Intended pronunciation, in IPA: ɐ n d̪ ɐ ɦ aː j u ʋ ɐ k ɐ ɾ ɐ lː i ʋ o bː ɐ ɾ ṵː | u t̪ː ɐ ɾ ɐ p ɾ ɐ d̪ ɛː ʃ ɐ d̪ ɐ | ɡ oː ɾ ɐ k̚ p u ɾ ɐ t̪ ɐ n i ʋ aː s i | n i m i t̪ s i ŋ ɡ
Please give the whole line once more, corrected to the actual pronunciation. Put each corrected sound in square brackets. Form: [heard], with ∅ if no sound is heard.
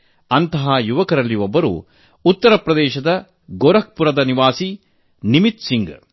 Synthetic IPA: ɐ n [t̪] ɐ ɦ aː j u ʋ ɐ k ɐ ɾ ɐ lː i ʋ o bː ɐ ɾ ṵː | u t̪ː ɐ ɾ ɐ p ɾ ɐ d̪ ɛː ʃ ɐ d̪ ɐ | ɡ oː ɾ ɐ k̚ p u ɾ ɐ [d̪] ɐ n i ʋ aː s i | n i m i t̪ s i ŋ ɡ

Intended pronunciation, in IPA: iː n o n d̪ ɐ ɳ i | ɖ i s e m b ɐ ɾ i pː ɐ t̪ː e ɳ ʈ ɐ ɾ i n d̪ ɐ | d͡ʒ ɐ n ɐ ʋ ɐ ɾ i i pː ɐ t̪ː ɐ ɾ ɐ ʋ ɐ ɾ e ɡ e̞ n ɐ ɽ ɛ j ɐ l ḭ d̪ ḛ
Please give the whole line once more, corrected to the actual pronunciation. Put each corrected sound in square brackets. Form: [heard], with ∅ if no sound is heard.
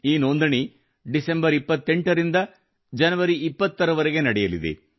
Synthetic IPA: iː n o n d̪ ɐ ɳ i | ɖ i s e m b ɐ ɾ i pː ɐ t̪ː e ɳ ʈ ɐ ɾ i n d̪ ɐ | d͡ʒ ɐ n ɐ ʋ ɐ ɾ i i pː ɐ t̪ː ɐ ɾ ɐ ʋ ɐ ɾ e ɡ e̞ n ɐ ɽ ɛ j ɐ l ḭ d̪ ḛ

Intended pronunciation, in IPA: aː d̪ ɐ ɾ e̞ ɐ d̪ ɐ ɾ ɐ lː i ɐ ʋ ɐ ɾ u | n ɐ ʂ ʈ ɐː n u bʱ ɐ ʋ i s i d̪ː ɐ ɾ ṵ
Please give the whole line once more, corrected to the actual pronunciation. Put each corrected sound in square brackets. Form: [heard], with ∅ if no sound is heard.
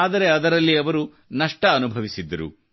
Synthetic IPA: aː d̪ ɐ ɾ e̞ ɐ d̪ ɐ ɾ ɐ lː i ɐ ʋ ɐ ɾ u | n ɐ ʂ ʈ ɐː n u bʱ ɐ ʋ i s i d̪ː ɐ ɾ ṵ

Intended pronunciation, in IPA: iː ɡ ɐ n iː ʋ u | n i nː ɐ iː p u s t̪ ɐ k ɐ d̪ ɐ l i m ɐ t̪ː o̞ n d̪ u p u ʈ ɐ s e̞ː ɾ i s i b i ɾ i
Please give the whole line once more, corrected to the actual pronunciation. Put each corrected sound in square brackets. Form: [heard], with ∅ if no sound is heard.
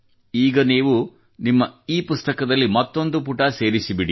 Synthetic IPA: iː ɡ ɐ n iː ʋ u | n i [mː] ɐ iː p u s t̪ ɐ k ɐ d̪ ɐ [lː] i m ɐ t̪ː o̞ n d̪ u p u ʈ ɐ s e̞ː ɾ i s i b i [ɽ] i

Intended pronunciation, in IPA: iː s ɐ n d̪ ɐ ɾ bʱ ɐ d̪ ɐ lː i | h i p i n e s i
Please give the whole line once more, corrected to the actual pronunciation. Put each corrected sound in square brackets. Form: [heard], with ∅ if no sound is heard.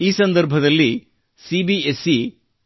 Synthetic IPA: iː s ɐ n d̪ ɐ ɾ bʱ ɐ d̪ ɐ lː i | [s] i [b] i [∅] e s i

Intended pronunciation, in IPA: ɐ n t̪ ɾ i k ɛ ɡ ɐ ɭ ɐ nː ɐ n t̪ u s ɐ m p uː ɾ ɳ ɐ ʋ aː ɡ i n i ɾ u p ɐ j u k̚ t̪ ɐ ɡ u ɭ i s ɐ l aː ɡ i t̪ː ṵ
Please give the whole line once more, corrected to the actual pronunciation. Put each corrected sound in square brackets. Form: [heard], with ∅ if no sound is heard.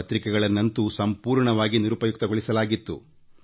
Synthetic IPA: ɐ [∅] t̪ ɾ i k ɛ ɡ ɐ ɭ ɐ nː ɐ n t̪ u s ɐ m p uː ɾ ɳ ɐ ʋ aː ɡ i n i ɾ u p ɐ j u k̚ t̪ ɐ ɡ [o] ɭ i s ɐ l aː ɡ i t̪ː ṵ

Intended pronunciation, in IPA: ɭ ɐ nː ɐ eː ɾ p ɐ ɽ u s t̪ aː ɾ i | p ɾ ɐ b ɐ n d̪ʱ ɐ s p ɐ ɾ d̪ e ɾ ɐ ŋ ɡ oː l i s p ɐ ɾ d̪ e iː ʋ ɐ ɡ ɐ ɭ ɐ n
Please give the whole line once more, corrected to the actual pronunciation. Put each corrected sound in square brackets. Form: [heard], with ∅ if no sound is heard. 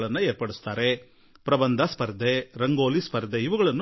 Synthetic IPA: ɭ ɐ nː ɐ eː ɾ p ɐ ɽ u s t̪ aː ɾ [e] | p ɾ ɐ b ɐ n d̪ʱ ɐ s p ɐ ɾ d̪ e ɾ ɐ ŋ ɡ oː l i s p ɐ ɾ d̪ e [i] ʋ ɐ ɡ ɐ ɭ ɐ [nː]

